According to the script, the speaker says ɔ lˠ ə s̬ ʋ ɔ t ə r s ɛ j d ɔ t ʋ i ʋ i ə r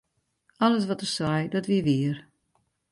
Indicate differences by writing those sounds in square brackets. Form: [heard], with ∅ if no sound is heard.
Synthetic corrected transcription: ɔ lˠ ə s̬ ʋ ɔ t ə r s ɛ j d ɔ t ʋ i ʋ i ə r

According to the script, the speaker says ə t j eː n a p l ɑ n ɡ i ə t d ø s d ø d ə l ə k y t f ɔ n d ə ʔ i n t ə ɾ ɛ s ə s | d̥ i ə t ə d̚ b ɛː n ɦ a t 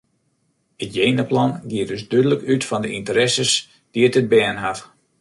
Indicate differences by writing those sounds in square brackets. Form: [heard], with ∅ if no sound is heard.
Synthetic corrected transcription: ə t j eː n [ə] p l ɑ n ɡ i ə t d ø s d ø d ə l ə k y t f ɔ n d ə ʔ i n t ə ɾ ɛ s ə s | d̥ i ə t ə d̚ b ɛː n ɦ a t

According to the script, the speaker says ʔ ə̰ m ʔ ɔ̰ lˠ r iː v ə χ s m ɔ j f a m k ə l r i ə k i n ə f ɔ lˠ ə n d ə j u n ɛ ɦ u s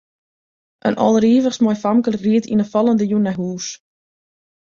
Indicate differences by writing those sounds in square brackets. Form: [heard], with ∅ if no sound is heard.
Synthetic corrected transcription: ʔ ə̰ [n] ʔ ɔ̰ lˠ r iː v ə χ s m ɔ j f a m k ə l r i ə [t] i n ə f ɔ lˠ ə n d ə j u n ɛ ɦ [uː] s

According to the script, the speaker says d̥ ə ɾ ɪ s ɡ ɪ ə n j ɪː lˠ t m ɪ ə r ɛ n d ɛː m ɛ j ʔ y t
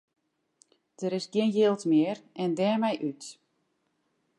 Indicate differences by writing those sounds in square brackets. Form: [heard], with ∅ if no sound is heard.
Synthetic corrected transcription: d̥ ə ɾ ɪ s ɡ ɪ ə n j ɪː lˠ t m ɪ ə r ɛ n d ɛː m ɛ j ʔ y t

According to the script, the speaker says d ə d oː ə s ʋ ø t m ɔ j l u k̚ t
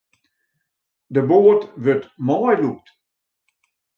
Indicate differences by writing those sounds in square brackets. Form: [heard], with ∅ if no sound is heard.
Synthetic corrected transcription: d ə [b] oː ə [t] ʋ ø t m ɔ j l u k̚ t

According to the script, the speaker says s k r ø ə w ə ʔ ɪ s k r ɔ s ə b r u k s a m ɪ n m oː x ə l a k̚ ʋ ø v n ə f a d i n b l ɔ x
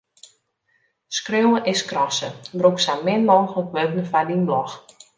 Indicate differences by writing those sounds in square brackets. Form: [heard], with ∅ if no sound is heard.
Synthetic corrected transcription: s k r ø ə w ə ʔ ɪ s k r ɔ s ə b r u k s a m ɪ n m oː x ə l [ə] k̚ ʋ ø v n ə f a d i n b l ɔ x

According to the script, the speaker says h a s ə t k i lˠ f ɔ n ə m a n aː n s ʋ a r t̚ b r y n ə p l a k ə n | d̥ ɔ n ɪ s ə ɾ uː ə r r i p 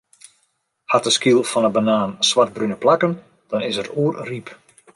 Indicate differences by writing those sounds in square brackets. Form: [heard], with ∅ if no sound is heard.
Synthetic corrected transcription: h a [t] ə [s] k i lˠ f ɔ n ə [b] a n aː n s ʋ a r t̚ b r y n ə p l a k ə n | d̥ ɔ n ɪ s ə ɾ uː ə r r i p

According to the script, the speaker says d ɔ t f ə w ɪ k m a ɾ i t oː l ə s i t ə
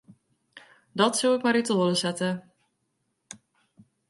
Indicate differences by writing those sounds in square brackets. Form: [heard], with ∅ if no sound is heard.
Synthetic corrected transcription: d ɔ t [s] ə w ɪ k m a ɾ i t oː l ə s [ɛ] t ə

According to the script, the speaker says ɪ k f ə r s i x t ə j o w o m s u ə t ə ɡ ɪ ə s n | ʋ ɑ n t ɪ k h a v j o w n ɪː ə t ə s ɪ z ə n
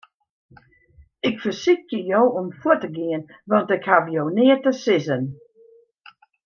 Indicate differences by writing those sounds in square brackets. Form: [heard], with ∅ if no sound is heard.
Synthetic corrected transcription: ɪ k f ə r s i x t ə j o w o m [f] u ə t ə ɡ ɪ ə [∅] n | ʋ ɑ n t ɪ k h a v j o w n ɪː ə t ə s ɪ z ə n

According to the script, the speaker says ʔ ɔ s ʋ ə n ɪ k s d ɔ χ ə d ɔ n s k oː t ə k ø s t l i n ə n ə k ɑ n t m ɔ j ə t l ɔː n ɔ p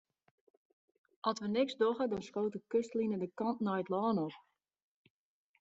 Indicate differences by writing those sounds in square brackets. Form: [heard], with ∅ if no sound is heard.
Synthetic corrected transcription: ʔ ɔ s ʋ ə n ɪ k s d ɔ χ ə d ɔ n s k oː t ə k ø s t l i n ə [d] ə k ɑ n t [n] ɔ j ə t l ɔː n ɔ p

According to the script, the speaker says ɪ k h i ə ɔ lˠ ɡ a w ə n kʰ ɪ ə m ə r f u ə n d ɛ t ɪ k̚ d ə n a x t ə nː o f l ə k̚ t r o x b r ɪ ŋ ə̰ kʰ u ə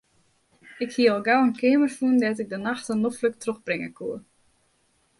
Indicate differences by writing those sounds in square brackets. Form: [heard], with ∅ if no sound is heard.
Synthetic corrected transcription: ɪ k h i ə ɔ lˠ ɡ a w ə n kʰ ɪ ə m ə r f u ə n d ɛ t ɪ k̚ d ə n a x t ə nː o f l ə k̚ t r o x b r ɪ ŋ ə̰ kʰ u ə

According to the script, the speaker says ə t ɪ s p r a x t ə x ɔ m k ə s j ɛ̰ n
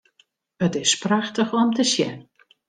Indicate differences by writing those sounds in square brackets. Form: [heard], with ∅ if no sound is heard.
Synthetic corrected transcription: ə t ɪ s p r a x t ə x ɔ m [t] ə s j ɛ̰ n

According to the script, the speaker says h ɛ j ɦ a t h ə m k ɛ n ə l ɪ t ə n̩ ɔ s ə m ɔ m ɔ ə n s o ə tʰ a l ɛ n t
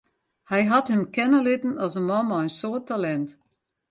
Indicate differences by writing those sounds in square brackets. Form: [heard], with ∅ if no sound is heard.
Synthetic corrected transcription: h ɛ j ɦ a t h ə m k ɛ n ə l ɪ t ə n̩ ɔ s ə m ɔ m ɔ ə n s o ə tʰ a l ɛ n t

